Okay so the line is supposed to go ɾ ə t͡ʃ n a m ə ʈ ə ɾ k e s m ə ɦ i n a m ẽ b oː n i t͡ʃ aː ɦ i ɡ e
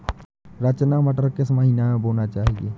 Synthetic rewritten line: ɾ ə t͡ʃ n a m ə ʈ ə ɾ k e s m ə ɦ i n a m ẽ b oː n a t͡ʃ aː ɦ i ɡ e